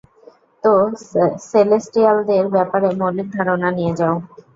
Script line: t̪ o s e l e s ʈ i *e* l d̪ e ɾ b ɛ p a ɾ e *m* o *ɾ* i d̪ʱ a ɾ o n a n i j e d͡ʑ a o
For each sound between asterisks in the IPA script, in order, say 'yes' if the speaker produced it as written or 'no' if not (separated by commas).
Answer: no, yes, no